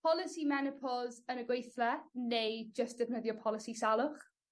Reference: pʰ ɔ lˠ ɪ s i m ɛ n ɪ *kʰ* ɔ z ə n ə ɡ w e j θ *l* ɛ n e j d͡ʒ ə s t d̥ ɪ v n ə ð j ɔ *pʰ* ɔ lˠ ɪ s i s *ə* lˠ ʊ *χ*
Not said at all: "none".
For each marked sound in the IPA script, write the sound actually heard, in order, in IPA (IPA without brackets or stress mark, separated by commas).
pʰ, l, pʰ, a, χ